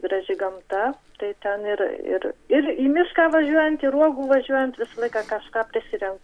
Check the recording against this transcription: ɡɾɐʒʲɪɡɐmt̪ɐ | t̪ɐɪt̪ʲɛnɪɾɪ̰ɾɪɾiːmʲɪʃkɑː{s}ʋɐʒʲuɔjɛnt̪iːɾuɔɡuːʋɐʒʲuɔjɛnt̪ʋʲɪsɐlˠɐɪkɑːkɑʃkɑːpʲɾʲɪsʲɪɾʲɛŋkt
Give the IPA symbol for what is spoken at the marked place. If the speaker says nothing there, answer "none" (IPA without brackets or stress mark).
none